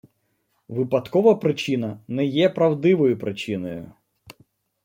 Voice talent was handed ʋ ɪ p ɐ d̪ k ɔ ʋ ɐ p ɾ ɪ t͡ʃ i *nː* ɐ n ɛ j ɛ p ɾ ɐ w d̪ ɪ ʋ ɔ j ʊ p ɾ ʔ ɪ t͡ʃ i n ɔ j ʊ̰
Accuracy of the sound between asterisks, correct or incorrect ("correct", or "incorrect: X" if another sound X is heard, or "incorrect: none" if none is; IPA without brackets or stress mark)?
incorrect: n